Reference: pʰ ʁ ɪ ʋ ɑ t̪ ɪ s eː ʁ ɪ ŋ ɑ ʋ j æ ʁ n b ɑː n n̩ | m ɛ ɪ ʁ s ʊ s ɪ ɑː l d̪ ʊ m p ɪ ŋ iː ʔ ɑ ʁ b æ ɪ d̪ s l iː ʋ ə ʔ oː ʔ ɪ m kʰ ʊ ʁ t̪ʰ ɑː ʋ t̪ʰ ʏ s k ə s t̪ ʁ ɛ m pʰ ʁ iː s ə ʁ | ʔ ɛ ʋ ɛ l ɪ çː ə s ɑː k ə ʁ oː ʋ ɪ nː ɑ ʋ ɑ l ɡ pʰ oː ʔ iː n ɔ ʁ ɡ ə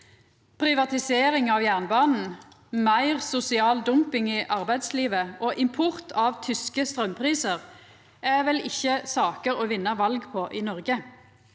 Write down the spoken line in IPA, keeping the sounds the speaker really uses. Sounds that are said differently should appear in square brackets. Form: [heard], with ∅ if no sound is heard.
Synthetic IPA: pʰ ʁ ɪ ʋ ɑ t̪ ɪ s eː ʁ ɪ ŋ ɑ ʋ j æ ʁ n b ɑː n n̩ | m [æ] ɪ ʁ s ʊ s ɪ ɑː l d̪ ʊ m p ɪ ŋ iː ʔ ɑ ʁ b æ ɪ d̪ s l iː ʋ ə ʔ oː ʔ ɪ m [pʰ] ʊ ʁ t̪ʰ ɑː ʋ t̪ʰ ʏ s k ə s t̪ ʁ [œ] m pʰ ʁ iː s ə ʁ | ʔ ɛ ʋ ɛ l ɪ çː ə s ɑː k ə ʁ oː ʋ ɪ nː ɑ ʋ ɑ l ɡ pʰ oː ʔ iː n ɔ ʁ ɡ ə